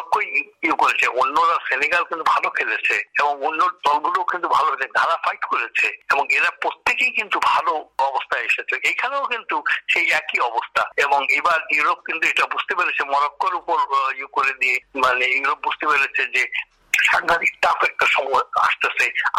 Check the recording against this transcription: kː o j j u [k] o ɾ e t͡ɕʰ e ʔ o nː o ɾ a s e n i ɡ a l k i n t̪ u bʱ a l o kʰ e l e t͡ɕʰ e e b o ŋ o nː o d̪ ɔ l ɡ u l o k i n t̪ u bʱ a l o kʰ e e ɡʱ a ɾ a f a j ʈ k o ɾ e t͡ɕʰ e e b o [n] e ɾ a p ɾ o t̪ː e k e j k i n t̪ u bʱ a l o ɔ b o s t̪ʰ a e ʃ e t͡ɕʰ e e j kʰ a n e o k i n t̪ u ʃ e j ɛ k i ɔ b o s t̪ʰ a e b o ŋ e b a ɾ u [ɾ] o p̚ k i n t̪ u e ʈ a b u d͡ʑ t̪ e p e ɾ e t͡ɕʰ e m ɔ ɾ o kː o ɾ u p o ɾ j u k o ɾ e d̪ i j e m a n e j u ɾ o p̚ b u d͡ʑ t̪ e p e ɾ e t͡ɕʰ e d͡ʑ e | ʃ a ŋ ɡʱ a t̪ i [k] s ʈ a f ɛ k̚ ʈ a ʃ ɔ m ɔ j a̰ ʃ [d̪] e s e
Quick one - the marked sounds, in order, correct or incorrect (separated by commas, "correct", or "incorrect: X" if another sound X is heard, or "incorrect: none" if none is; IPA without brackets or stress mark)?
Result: correct, incorrect: ŋ, correct, correct, incorrect: t̪